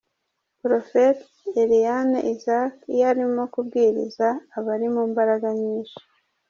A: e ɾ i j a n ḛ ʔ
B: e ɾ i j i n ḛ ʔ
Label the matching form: A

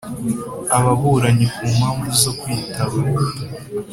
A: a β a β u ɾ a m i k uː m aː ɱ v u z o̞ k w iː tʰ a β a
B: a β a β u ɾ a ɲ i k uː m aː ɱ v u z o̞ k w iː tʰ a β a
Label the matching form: B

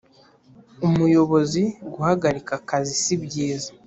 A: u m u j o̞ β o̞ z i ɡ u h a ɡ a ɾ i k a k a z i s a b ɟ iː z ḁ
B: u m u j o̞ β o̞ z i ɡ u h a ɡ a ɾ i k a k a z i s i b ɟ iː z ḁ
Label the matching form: B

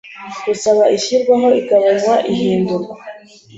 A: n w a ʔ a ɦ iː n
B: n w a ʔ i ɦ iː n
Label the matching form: B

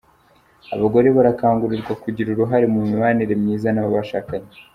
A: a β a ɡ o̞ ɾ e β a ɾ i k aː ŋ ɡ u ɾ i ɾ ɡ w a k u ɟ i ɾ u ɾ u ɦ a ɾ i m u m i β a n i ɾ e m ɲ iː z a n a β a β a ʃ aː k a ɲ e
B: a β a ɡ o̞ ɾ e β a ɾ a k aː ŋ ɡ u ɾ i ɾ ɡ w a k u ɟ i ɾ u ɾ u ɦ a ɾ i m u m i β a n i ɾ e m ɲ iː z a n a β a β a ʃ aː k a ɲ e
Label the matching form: B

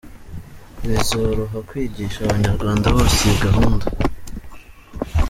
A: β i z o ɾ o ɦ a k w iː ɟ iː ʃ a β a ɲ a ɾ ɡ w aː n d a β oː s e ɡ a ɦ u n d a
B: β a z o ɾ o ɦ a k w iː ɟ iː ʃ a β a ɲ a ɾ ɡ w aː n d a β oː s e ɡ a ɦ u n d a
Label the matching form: A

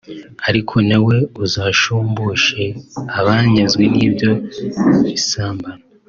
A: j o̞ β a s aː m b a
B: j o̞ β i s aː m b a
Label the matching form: B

